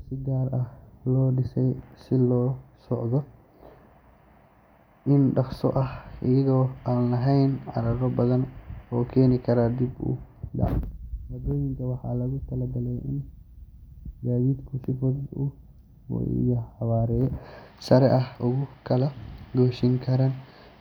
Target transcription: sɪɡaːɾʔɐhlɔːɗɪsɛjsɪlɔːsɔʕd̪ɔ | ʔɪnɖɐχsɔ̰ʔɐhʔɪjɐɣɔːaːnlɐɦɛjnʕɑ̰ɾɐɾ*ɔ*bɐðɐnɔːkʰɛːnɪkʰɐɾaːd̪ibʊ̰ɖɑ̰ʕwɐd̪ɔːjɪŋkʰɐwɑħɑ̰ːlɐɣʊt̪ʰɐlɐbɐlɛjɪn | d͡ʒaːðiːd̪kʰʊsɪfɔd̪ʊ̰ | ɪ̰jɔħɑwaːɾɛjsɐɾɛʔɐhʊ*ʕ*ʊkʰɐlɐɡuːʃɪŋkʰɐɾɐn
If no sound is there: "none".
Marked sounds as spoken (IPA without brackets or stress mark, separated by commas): ɔ, ɣ